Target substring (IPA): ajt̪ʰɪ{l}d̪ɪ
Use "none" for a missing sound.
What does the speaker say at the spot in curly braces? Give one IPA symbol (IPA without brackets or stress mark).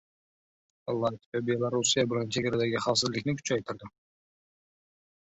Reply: ɾ